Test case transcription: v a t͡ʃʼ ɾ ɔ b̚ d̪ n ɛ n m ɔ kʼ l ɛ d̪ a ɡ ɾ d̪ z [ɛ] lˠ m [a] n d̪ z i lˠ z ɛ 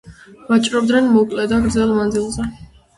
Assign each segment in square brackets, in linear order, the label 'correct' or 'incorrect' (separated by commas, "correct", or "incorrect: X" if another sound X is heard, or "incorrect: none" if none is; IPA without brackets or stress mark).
correct, correct